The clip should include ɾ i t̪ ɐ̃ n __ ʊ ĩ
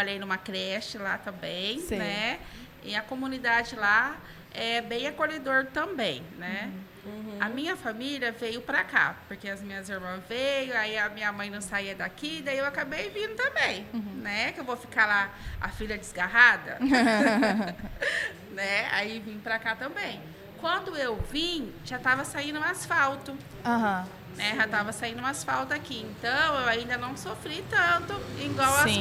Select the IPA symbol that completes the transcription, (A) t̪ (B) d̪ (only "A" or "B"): A